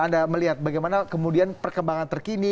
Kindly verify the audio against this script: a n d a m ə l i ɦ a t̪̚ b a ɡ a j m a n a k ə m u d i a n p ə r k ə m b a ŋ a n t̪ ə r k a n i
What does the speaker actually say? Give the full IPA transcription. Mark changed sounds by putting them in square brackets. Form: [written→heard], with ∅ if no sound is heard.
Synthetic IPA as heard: a n d a m ə l i ɦ a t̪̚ b a ɡ a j m a n a k ə m u d i a n p ə r k ə m b a ŋ a n t̪ ə r k [a→i] n i